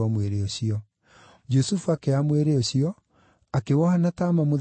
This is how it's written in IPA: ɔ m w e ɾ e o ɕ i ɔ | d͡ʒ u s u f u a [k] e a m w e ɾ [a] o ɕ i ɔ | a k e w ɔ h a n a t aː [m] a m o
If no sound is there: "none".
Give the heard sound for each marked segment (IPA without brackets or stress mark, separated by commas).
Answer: k, e, m